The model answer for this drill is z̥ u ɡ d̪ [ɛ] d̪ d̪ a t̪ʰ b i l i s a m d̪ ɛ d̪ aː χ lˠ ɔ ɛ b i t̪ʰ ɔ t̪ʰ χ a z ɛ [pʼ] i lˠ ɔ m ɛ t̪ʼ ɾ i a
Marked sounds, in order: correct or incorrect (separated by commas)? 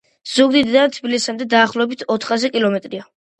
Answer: incorrect, incorrect